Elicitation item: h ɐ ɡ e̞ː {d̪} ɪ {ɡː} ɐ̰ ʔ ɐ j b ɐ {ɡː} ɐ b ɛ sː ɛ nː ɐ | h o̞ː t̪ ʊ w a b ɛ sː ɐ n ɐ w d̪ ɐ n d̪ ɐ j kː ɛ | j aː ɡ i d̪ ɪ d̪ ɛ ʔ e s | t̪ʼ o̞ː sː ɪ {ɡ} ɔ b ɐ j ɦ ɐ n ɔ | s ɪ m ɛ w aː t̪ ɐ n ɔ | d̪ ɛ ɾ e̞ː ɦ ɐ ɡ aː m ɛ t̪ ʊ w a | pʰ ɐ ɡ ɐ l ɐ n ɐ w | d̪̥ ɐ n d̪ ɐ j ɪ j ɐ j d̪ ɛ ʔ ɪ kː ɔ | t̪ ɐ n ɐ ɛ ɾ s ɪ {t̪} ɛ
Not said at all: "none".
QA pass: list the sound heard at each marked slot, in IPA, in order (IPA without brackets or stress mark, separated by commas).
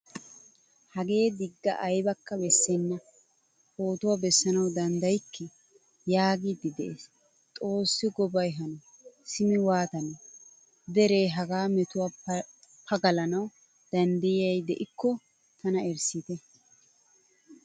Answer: d̪, ɡː, kː, ɡ, t̪